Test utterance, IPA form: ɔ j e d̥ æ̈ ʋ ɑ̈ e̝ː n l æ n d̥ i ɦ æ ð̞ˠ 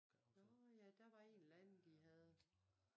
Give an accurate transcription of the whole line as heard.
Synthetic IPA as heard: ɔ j æ d̥ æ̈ ʋ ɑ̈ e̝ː n l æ n d̥ i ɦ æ ð̞ˠ